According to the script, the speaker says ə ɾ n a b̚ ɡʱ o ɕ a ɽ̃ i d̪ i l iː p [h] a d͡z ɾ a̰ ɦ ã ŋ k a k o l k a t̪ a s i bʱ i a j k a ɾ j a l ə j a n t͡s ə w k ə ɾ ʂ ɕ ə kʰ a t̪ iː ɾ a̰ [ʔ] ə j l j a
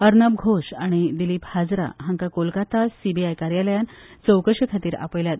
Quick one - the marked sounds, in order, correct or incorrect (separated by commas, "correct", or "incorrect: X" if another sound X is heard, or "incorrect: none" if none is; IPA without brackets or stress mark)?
correct, incorrect: p